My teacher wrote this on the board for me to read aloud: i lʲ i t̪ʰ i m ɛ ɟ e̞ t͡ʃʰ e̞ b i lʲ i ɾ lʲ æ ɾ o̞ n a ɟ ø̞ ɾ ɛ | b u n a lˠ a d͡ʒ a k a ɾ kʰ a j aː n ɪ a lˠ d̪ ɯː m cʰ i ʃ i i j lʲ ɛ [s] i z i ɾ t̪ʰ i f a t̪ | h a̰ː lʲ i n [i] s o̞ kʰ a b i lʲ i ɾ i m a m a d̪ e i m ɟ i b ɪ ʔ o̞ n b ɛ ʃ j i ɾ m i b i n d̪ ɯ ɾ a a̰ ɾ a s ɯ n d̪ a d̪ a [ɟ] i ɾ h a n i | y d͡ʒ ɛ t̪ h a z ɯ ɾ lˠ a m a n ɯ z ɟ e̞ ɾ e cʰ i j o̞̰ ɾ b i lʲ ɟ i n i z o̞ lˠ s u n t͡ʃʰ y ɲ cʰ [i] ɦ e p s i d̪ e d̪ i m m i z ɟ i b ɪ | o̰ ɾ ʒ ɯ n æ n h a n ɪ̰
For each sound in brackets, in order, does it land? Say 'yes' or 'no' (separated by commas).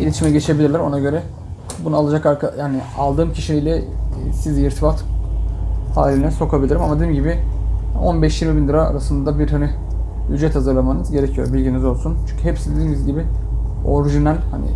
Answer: yes, no, no, no